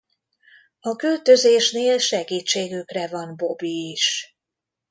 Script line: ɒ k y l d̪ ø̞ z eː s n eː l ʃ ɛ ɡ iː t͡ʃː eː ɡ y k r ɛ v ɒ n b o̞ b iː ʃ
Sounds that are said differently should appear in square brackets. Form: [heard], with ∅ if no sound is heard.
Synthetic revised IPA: ɒ k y l [t̪] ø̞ z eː [ʃ] n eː l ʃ ɛ ɡ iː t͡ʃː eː ɡ y k r ɛ v ɒ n b o̞ b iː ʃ